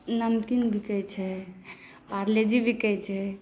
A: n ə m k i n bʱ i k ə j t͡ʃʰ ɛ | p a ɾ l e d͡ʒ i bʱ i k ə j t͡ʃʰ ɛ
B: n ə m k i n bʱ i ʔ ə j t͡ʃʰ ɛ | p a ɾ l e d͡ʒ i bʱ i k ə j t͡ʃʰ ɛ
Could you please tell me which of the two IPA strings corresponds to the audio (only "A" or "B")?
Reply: A